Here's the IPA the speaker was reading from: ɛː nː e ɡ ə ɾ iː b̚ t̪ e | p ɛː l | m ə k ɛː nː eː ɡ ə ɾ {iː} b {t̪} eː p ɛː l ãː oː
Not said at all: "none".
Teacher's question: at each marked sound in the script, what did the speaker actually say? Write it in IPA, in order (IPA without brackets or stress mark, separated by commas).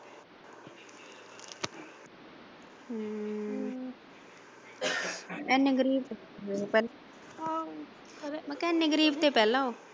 iː, t̪